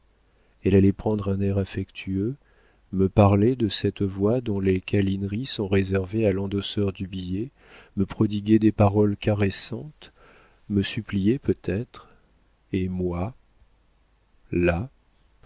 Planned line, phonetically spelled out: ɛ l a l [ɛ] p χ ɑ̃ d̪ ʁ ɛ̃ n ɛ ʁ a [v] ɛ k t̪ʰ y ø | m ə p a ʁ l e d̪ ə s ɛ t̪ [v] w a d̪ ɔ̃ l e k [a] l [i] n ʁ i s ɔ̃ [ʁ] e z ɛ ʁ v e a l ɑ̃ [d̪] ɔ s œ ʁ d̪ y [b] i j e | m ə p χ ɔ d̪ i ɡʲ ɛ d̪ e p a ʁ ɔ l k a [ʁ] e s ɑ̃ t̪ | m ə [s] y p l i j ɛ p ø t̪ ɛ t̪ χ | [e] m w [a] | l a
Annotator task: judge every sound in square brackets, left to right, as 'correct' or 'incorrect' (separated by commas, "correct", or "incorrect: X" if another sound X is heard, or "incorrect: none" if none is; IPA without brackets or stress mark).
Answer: correct, incorrect: f, correct, correct, correct, correct, correct, correct, correct, correct, correct, correct